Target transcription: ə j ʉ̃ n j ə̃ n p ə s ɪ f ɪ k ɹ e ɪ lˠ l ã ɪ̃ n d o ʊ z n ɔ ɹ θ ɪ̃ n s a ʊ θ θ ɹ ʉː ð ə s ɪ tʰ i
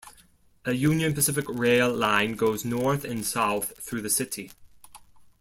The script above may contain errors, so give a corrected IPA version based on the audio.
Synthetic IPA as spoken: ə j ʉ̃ n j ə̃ n p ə s ɪ f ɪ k ɹ e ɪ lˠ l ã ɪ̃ n ɡ o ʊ z n ɔ ɹ θ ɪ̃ n s a ʊ θ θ ɹ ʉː ð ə s ɪ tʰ i